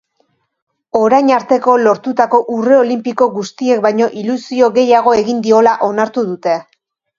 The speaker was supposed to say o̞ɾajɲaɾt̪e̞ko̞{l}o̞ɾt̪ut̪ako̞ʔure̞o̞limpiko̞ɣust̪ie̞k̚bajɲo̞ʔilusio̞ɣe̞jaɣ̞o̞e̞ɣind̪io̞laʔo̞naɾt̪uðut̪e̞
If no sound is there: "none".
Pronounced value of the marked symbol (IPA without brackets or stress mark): l